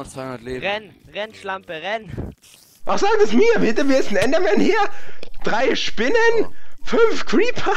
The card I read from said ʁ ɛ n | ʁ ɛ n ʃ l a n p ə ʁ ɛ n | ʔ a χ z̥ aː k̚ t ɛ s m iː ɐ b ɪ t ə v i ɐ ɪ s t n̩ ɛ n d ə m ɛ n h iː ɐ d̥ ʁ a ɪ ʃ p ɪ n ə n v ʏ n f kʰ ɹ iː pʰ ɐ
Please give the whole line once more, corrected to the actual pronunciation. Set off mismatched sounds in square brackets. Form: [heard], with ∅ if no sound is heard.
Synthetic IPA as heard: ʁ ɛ n | ʁ ɛ n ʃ l a [m] p ə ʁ ɛ n | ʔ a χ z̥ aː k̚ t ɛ s m iː ɐ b ɪ t ə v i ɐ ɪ s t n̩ ɛ n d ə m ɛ n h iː ɐ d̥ ʁ a ɪ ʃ p ɪ n ə n [f] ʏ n f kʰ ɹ iː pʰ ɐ